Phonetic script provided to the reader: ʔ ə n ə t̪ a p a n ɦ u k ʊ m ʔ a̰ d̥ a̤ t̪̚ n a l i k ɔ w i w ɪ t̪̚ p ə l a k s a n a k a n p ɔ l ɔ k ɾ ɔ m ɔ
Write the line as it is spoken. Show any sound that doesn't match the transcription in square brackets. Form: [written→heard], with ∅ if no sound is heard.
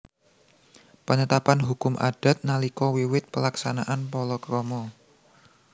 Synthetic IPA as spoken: [ʔ→p] ə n ə t̪ a p a n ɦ u k ʊ m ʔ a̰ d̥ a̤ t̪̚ n a l i k ɔ w i w ɪ t̪̚ p ə l a k s a n a [k→ʔ] a n p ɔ l ɔ k ɾ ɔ m ɔ